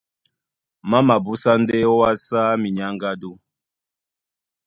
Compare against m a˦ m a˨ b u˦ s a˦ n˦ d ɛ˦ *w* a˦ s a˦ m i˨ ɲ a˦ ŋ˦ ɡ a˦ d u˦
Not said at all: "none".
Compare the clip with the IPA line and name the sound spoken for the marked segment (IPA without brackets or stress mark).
w